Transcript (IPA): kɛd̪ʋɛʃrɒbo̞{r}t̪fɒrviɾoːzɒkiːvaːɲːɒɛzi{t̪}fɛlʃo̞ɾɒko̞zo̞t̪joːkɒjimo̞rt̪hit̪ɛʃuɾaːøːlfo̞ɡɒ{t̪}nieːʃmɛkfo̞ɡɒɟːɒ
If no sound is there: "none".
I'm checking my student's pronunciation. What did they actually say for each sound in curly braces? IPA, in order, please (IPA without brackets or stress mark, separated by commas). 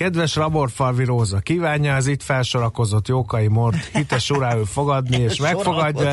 r, t̪, d̪